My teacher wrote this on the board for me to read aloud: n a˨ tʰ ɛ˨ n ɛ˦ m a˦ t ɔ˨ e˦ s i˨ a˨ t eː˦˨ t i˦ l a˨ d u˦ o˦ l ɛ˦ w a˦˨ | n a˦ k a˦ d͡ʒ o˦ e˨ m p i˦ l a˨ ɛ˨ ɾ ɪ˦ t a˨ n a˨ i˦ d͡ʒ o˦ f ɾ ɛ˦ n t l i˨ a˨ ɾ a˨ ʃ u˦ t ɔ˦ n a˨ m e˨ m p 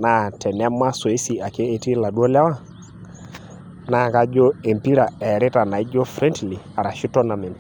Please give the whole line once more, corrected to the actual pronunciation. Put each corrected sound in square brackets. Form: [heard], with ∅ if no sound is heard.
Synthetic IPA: n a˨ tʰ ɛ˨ n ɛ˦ m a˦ [s] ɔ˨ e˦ s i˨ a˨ [k] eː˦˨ t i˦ l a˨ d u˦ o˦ l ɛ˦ w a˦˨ | n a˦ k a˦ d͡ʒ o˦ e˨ m p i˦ [ɾ] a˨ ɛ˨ ɾ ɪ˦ t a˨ n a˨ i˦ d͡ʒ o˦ f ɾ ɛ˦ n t l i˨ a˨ ɾ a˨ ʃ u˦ t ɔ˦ n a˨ m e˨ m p